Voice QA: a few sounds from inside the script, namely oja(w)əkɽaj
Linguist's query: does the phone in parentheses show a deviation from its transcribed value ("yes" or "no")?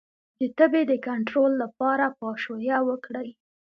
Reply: no